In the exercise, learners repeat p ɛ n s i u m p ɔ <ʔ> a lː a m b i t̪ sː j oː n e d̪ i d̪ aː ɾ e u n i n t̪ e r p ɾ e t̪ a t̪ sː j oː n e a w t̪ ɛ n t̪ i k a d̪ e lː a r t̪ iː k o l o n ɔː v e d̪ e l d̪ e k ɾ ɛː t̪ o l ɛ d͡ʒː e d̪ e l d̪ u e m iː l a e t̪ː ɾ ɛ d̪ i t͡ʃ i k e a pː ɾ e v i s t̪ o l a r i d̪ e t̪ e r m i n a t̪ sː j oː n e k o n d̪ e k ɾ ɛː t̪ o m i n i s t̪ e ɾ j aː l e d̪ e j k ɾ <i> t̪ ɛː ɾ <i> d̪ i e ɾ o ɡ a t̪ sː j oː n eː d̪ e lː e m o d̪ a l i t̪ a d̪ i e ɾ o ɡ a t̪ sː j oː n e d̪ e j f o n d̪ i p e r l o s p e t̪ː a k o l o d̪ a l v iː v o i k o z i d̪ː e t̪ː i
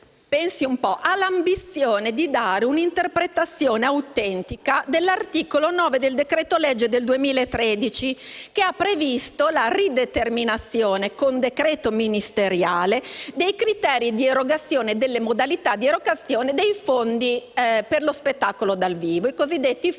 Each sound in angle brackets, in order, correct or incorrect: correct, correct, correct

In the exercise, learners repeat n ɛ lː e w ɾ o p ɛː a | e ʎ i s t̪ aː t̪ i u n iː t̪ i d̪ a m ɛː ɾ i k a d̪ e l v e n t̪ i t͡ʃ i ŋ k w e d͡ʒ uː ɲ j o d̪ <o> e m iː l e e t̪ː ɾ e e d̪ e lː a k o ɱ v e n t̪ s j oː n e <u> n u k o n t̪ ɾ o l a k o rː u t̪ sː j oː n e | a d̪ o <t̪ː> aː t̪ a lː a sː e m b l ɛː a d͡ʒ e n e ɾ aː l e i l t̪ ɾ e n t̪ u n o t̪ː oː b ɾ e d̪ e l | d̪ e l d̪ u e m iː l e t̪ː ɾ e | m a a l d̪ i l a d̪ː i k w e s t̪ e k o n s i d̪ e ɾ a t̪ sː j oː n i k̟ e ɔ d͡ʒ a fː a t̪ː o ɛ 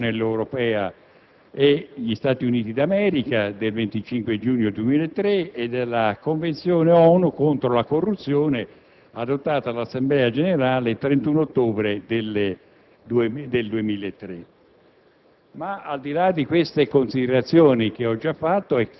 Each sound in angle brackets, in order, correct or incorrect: incorrect: u, incorrect: ɔ, correct

